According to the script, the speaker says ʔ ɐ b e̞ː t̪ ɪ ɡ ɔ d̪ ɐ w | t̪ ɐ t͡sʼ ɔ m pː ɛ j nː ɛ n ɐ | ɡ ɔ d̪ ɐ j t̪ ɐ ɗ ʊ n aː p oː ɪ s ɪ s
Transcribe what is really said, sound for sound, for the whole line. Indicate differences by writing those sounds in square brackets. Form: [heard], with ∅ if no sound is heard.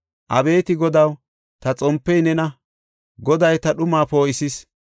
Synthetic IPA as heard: ʔ ɐ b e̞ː t̪ ɪ ɡ ɔ d̪ ɐ w | t̪ ɐ t͡sʼ ɔ m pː ɛ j [n] ɛ n ɐ | ɡ ɔ d̪ ɐ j t̪ ɐ ɗ ʊ [m] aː p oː ɪ s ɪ s